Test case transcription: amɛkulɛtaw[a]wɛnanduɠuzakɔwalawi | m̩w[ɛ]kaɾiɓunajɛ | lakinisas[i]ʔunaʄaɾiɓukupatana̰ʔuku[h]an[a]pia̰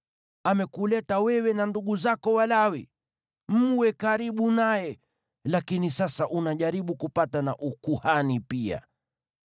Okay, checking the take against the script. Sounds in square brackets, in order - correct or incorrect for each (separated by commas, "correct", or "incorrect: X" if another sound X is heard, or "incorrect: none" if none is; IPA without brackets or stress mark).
incorrect: ɛ, correct, incorrect: a, correct, incorrect: i